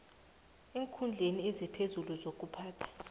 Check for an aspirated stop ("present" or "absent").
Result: present